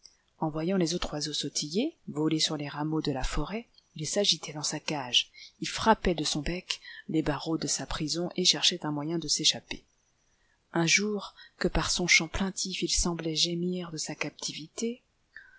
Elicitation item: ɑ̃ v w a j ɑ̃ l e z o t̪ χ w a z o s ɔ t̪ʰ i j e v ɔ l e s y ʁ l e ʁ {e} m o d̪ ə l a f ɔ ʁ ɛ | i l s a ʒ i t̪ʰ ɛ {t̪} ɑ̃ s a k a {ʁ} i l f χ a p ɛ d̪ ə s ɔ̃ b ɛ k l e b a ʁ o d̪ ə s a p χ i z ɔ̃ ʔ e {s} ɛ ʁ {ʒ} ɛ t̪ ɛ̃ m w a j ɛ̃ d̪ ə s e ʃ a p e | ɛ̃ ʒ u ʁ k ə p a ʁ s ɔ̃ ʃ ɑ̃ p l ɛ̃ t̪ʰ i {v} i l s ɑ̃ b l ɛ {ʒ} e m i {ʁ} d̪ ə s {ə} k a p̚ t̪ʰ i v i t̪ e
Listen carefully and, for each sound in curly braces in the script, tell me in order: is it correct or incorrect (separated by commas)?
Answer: incorrect, incorrect, incorrect, incorrect, incorrect, incorrect, correct, correct, incorrect